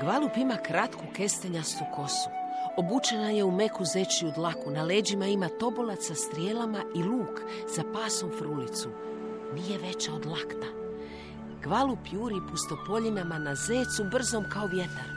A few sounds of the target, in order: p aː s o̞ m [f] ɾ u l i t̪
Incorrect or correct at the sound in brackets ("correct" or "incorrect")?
correct